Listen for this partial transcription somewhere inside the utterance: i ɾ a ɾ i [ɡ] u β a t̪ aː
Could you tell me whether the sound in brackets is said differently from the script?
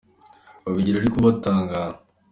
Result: yes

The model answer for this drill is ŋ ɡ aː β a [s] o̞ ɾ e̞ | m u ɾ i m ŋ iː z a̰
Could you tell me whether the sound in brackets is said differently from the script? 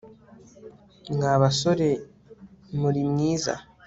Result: no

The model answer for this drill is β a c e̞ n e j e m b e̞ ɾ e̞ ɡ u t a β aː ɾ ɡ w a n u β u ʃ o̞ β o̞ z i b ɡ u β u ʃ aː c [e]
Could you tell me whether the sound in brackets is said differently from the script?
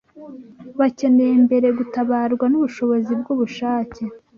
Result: no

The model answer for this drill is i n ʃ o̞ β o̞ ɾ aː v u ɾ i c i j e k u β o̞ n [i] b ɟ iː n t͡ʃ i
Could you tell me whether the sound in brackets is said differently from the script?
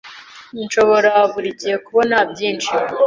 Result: yes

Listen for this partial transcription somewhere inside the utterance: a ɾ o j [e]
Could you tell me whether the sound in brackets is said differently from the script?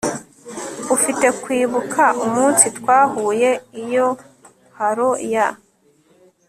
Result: yes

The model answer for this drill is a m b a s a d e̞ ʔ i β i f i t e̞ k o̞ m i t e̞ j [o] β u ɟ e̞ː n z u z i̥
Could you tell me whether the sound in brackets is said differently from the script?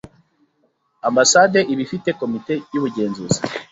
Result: yes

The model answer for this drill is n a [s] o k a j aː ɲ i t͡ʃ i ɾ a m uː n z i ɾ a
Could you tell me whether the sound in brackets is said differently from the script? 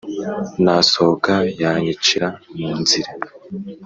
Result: no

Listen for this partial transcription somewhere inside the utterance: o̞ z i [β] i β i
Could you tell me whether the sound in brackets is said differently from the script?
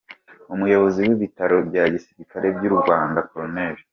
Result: yes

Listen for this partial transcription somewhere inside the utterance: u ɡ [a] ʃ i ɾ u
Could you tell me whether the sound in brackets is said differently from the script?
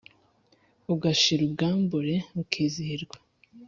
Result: no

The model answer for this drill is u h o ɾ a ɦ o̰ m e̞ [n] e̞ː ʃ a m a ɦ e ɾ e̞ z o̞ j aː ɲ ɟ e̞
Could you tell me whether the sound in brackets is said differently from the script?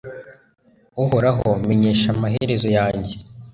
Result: yes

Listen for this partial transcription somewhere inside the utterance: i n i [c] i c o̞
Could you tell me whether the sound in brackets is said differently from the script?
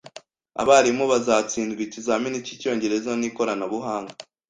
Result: no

